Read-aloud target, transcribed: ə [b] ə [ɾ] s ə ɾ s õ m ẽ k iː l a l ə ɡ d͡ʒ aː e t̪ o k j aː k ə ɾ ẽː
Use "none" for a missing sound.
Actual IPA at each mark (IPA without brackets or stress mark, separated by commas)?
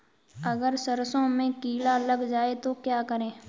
ɡ, ɾ